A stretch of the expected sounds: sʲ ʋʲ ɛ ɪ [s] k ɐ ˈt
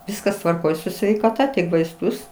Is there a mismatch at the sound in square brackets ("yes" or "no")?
yes